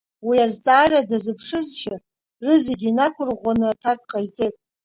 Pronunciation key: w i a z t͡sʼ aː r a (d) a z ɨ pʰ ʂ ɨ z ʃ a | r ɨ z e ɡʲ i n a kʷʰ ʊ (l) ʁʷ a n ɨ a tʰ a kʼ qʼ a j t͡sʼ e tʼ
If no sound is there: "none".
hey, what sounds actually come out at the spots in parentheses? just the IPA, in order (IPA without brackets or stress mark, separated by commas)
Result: d, r